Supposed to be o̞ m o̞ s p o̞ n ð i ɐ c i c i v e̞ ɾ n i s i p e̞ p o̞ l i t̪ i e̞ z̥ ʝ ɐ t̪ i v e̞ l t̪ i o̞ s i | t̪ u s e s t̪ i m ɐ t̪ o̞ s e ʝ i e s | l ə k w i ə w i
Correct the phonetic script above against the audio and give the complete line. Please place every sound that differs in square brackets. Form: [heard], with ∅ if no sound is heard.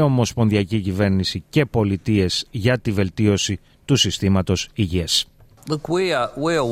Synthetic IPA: o̞ m o̞ s p o̞ n ð i ɐ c i c i v e̞ ɾ n i s i [c] e̞ p o̞ l i t̪ i e̞ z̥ ʝ ɐ t̪ i v e̞ l t̪ i o̞ s i | t̪ u s [i] s t̪ i m ɐ t̪ o̞ s [i] ʝ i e s | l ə k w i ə w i